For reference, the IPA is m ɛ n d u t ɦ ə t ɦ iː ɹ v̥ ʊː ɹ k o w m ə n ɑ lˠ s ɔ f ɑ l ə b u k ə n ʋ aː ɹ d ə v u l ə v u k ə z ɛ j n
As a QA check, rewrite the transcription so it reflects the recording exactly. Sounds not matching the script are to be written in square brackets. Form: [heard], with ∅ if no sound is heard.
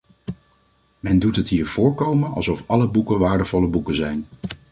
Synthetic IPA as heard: m ɛ n d u t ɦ ə t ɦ iː ɹ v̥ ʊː ɹ k o w m ə n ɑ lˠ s ɔ f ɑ l ə b u k ə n ʋ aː ɹ d ə v [ɔ] l ə [b] u k ə z ɛ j n